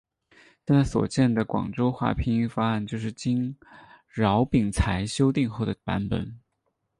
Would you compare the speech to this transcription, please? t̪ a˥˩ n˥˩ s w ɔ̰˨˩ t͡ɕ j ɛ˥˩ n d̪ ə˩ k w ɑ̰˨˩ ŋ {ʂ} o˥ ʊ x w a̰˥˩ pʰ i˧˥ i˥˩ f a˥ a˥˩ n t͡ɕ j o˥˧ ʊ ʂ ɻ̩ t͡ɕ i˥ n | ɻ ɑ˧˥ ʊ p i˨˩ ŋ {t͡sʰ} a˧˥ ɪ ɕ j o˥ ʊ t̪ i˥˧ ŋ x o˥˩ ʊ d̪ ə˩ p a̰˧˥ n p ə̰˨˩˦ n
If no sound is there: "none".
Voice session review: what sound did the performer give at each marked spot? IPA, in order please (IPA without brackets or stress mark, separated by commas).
ʈ͡ʂ, t͡sʰ